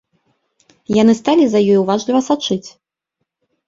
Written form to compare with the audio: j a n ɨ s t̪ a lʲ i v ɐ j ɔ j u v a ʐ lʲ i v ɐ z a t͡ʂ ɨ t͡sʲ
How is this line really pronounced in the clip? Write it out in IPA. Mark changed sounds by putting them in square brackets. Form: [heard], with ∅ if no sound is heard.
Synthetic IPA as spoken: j a n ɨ s t̪ a lʲ i [z] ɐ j ɔ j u v a ʐ lʲ i v ɐ [s] a t͡ʂ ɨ t͡sʲ